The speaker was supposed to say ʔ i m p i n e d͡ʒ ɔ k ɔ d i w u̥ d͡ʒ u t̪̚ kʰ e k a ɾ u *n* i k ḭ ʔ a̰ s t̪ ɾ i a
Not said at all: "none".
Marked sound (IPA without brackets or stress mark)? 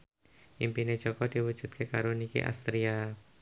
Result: n